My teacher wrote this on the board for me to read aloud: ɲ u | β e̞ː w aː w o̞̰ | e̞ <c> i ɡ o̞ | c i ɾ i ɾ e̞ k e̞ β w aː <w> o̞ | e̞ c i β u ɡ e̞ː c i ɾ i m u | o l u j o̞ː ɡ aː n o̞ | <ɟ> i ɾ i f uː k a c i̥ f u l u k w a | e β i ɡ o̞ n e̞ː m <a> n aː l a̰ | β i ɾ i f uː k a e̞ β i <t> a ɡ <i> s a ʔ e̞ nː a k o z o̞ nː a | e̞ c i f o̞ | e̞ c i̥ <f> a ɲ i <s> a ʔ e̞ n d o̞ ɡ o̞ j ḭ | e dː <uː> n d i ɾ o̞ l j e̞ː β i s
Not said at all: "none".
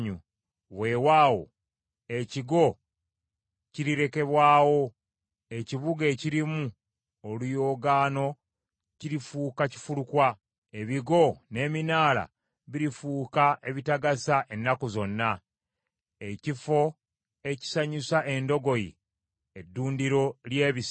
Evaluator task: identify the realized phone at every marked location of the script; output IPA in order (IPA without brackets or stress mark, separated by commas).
c, w, c, i, t, a, s, s, uː